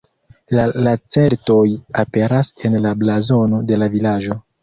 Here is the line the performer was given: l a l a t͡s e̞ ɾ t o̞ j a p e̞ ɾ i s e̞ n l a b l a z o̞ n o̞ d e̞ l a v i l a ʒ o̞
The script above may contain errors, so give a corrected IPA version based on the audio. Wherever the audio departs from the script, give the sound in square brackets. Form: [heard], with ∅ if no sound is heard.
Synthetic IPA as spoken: l a l a t͡s e̞ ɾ t o̞ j a p e̞ ɾ [a] s e̞ n l a b l a z o̞ n o̞ d e̞ l a v i l a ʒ o̞